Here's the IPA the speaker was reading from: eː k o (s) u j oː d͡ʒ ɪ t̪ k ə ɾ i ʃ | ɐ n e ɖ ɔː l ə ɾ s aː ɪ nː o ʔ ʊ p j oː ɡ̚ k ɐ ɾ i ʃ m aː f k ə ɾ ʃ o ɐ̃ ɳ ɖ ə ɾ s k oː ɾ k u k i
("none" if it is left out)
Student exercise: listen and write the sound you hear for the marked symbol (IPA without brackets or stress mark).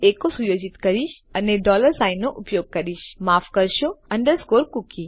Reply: s